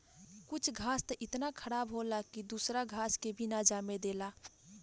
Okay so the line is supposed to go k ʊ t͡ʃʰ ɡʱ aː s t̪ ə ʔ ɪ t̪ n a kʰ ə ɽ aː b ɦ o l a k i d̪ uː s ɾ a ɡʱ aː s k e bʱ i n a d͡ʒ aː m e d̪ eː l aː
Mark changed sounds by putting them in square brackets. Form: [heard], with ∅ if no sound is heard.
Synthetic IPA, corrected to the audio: k ʊ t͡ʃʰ ɡʱ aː s t̪ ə ʔ ɪ t̪ n a kʰ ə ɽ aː b ɦ o l a k i d̪ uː s ɾ a ɡʱ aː s k e bʱ i n a d͡ʒ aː m e d̪ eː l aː